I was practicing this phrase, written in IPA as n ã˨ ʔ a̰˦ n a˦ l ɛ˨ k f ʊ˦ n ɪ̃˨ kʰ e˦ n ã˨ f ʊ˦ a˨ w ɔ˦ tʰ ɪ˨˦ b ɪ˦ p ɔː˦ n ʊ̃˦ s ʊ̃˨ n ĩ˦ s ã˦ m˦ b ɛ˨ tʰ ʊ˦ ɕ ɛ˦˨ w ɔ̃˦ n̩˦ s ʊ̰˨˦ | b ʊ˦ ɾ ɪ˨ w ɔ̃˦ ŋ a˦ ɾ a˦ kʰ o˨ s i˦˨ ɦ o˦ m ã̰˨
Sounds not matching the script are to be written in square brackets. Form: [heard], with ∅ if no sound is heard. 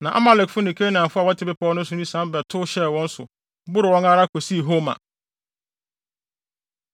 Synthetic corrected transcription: n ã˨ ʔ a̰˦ [m] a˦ l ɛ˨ k f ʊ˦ n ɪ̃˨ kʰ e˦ n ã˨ f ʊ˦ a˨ w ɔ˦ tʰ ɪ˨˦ b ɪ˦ p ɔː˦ n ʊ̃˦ s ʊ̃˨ n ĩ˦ s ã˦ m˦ b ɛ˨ tʰ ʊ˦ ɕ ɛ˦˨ w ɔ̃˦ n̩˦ s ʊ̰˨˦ | b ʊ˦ ɾ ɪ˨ w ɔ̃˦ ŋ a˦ ɾ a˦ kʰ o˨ s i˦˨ ɦ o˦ m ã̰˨